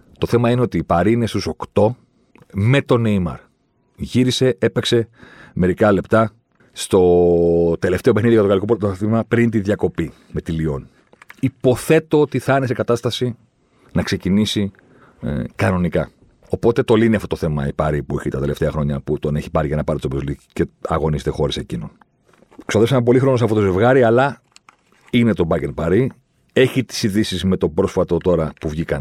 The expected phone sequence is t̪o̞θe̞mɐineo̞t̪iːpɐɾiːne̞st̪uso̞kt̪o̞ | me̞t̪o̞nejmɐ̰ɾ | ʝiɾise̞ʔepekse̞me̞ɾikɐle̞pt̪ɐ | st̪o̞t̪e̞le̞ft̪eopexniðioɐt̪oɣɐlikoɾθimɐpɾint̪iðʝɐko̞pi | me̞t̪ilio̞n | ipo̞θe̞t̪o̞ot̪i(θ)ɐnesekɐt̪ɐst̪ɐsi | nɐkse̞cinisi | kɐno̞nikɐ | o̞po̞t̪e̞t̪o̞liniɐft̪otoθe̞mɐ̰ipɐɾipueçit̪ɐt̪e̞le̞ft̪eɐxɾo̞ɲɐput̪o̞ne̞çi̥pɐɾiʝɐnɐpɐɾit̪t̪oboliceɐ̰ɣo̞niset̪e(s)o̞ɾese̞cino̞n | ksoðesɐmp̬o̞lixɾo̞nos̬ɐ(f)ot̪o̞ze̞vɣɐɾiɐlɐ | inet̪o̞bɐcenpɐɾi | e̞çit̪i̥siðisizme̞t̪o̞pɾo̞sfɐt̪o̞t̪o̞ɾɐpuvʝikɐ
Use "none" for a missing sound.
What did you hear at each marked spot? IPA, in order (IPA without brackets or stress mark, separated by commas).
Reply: θ, x, f